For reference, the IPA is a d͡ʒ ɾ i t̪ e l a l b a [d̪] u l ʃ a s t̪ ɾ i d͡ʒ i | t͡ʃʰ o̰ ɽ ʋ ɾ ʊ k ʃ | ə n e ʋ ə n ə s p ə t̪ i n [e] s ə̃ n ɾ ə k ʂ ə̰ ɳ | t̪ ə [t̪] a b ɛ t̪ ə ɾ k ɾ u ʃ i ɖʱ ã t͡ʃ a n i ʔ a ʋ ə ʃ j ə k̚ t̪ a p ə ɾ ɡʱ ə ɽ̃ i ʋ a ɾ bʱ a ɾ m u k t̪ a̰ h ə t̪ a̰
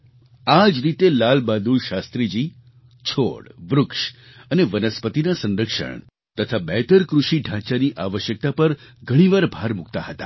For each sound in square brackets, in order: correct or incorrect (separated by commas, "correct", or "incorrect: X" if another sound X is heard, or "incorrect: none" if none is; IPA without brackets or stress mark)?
correct, incorrect: a, incorrect: t̪ʰ